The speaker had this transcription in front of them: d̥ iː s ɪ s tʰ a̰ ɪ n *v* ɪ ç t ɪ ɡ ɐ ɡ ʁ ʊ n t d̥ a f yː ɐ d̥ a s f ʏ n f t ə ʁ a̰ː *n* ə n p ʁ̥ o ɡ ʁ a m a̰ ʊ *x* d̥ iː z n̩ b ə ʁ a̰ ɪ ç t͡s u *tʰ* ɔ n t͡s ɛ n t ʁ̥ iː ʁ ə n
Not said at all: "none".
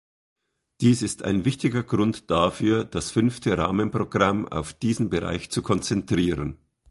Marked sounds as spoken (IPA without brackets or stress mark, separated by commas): v, m, f, kʰ